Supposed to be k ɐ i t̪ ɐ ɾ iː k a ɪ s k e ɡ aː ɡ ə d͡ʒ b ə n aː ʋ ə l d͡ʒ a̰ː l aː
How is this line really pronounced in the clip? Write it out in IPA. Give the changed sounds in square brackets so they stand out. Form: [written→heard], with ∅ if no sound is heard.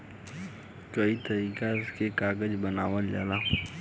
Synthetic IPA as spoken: k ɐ i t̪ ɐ ɾ iː k a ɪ s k e [ɡ→k] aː ɡ ə d͡ʒ b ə n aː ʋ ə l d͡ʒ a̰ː l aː